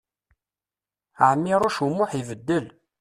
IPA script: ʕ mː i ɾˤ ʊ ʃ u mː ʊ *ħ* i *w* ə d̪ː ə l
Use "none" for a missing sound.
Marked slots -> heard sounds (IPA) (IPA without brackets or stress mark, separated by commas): ħ, v